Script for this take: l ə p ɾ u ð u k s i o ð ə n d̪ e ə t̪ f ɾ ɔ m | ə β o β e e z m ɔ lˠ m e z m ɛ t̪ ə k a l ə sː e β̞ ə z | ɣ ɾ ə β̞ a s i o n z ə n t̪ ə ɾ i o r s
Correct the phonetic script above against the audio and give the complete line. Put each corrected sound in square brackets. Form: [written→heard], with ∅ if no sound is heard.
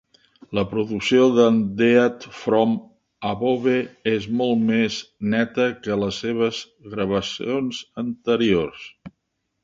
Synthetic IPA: l ə p ɾ u ð u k s i o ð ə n d̪ e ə t̪ f ɾ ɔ m | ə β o β e e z m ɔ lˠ m e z [m→n] ɛ t̪ ə k [a→ə] l ə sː e β̞ ə z | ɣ ɾ ə β̞ [a→ə] s i o n z ə n t̪ ə ɾ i o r s